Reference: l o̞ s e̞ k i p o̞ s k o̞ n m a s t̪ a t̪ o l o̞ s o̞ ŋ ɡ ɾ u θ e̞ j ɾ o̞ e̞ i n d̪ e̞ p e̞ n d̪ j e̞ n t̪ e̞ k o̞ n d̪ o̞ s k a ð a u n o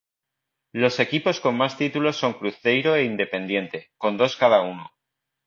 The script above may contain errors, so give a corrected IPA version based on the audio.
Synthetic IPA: l o̞ s e̞ k i p o̞ s k o̞ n m a s t̪ i t̪ u l o̞ s o̞ ŋ k ɾ u θ e̞ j ɾ o̞ e̞ i n d̪ e̞ p e̞ n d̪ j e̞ n t̪ e̞ k o̞ n d̪ o̞ s k a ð a u n o